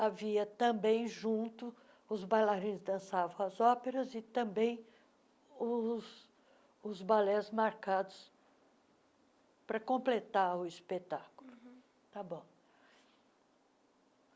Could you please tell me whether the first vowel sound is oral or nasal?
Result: oral